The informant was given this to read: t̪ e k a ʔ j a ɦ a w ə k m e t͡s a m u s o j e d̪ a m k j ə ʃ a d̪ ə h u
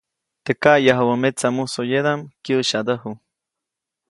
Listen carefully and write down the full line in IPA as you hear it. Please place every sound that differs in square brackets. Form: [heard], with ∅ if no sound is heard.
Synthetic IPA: t̪ e k a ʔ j a ɦ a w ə [∅] m e t͡s a m u s o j e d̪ a m k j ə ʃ a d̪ ə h u